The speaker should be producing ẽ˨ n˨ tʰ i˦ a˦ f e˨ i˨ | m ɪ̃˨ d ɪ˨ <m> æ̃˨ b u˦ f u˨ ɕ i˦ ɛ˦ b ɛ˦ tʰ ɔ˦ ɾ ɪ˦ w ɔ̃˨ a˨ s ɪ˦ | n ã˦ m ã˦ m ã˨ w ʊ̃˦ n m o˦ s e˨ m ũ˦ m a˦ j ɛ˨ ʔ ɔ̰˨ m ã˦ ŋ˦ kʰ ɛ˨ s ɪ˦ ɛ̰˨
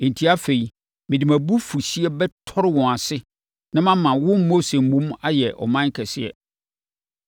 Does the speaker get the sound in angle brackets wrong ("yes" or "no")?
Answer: no